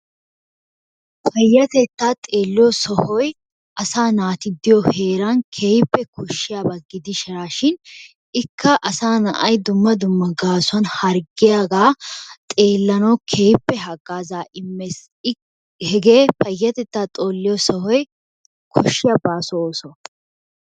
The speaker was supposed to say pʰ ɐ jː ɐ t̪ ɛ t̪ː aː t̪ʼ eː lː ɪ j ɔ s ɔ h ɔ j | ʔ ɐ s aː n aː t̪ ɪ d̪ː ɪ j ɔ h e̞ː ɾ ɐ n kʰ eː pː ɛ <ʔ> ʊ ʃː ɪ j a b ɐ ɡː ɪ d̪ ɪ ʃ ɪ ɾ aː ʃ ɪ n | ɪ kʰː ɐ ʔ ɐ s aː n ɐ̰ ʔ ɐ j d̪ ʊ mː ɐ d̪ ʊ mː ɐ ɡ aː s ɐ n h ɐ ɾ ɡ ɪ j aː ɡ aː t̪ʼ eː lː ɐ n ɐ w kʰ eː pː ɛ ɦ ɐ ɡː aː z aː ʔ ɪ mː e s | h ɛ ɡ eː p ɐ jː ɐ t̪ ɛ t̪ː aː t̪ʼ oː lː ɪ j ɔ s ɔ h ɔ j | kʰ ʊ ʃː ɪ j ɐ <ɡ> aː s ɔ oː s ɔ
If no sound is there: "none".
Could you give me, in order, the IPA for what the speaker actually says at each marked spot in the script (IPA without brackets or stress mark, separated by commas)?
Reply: k, b